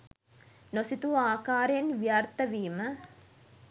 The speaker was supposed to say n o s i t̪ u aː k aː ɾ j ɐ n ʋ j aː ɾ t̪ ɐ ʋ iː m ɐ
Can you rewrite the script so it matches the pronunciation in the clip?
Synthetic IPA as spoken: n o s i t̪ u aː k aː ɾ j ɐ n ʋ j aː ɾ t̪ ɐ ʋ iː m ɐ